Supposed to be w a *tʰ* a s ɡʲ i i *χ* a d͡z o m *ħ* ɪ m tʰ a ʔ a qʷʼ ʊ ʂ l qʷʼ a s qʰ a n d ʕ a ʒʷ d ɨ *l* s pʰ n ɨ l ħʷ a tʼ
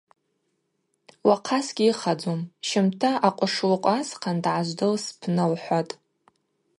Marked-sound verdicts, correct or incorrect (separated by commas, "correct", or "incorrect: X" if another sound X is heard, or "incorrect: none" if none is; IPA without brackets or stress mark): incorrect: qʰ, correct, incorrect: ʃ, correct